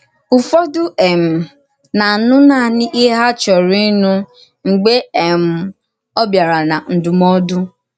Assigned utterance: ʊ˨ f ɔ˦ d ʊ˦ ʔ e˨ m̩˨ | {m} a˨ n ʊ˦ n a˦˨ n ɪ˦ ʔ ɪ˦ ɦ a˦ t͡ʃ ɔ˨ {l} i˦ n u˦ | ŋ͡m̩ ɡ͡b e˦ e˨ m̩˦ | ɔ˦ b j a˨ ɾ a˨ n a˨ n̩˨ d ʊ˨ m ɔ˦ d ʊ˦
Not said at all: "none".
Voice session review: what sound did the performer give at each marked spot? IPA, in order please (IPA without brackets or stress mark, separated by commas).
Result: n, ɾ